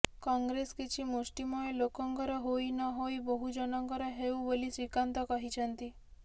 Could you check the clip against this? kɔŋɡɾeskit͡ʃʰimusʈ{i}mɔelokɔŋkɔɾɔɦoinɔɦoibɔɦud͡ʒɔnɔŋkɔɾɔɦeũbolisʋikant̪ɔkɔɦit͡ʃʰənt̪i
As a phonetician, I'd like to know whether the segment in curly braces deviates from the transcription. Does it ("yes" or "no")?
no